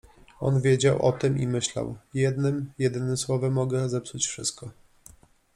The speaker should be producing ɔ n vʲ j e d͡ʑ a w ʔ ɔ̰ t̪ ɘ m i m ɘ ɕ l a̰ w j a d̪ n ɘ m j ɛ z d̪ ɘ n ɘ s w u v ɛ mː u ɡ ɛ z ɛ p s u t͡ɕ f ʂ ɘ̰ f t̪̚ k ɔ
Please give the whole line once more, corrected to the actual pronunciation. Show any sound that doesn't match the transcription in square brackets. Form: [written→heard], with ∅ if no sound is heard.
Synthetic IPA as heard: ɔ n vʲ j e d͡ʑ a w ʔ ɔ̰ t̪ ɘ m i m ɘ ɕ l a̰ w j [a→ɛ] d̪ n ɘ m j ɛ [z→∅] d̪ ɘ n ɘ s w [u→ɔ] v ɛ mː [u→ɔ] ɡ ɛ z ɛ p s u t͡ɕ f ʂ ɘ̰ [f→s] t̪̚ k ɔ